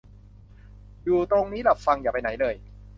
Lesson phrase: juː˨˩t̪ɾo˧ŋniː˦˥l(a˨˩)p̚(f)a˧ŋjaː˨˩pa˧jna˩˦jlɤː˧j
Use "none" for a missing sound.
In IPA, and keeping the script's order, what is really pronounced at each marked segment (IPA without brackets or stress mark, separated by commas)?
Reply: a˨˩, f